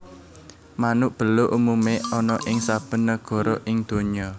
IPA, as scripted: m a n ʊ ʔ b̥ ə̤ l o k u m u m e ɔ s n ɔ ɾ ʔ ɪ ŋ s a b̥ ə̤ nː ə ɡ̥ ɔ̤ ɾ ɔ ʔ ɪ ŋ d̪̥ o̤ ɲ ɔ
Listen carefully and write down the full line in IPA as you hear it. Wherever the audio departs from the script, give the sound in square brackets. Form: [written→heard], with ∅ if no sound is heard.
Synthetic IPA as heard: m a n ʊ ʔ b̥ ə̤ l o [k→ʔ] u m u m e ɔ [s→∅] n ɔ [ɾ→∅] ʔ ɪ ŋ s a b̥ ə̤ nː ə ɡ̥ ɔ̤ ɾ ɔ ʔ ɪ ŋ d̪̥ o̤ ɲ ɔ